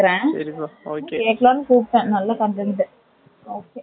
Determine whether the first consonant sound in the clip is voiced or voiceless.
voiced